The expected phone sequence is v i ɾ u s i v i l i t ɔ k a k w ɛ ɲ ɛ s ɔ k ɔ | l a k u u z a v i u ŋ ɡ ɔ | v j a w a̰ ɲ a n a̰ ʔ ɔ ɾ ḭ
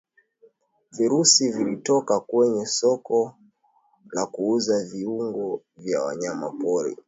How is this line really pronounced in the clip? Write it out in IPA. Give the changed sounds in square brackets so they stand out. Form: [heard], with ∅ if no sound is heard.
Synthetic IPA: v i ɾ u s i v i l i t ɔ k a k w ɛ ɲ ɛ s ɔ k ɔ | l a k u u z a v i u ŋ ɡ ɔ | v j a w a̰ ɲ a [m] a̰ [p] ɔ ɾ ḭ